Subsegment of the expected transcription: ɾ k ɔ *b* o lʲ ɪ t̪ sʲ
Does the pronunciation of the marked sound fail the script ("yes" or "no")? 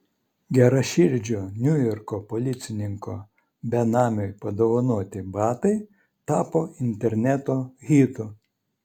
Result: yes